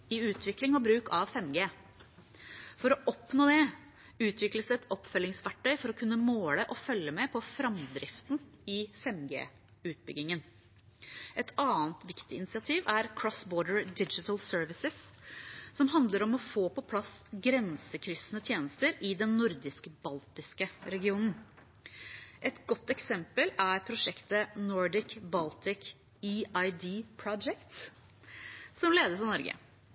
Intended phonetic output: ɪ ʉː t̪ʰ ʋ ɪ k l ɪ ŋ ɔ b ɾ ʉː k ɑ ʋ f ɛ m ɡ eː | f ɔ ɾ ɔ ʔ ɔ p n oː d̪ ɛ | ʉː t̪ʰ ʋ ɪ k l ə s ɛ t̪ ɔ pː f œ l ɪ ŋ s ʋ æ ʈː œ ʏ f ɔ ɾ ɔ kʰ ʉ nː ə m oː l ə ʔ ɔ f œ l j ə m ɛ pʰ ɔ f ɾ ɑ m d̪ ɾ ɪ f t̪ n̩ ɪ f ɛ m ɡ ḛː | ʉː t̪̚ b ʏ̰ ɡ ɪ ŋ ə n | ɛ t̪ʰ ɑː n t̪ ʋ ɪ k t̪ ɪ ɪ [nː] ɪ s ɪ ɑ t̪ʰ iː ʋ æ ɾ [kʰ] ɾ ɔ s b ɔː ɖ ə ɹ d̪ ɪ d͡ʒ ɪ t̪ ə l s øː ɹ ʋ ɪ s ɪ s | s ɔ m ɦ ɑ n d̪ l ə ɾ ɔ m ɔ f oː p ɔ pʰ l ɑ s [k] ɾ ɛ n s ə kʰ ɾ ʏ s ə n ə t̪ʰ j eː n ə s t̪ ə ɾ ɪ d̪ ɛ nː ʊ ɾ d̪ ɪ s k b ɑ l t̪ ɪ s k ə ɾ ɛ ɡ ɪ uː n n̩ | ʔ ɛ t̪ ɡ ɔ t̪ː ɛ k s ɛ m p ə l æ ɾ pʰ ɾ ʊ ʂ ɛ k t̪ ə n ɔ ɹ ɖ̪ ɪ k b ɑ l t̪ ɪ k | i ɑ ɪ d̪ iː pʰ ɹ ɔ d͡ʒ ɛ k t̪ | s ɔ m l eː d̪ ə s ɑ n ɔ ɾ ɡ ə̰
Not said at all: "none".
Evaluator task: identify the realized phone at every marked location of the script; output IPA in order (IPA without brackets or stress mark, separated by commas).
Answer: n, kʰ, ɡ